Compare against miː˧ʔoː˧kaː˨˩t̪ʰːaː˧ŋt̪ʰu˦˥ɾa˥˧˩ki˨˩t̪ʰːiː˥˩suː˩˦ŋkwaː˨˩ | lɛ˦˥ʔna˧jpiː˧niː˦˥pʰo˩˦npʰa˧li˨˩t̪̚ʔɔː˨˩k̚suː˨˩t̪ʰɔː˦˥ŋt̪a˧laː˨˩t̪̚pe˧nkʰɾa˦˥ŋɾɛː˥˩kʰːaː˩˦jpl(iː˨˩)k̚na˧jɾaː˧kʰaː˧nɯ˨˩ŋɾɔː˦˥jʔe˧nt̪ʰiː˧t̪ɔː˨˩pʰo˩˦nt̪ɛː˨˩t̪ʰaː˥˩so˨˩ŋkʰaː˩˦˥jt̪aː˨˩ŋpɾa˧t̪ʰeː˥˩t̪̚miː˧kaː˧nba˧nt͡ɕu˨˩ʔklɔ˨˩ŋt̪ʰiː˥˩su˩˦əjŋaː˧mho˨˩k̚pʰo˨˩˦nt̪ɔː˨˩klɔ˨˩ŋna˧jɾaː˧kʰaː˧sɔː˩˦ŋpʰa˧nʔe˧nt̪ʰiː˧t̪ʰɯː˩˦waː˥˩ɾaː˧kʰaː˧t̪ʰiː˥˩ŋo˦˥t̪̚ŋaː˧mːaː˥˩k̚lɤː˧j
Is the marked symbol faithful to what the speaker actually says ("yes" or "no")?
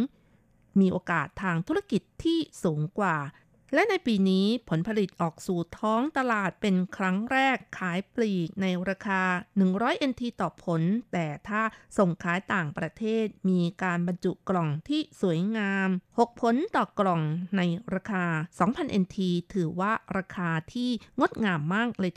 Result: yes